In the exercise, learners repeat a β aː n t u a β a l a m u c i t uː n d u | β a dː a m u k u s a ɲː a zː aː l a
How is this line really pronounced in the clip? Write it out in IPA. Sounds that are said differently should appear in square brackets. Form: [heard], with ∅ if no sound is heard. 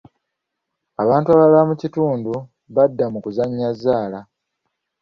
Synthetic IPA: a β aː n t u a β a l a m u c i t uː n d u | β a dː a m u k u [z] a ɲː a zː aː l a